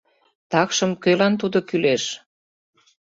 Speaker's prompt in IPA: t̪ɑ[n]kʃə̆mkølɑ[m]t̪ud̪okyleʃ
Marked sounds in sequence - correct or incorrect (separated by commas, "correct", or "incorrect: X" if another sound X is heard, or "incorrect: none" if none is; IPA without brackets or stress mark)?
incorrect: none, incorrect: n